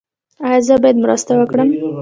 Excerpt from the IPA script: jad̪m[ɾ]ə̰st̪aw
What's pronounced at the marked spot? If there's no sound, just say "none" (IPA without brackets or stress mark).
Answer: ɾ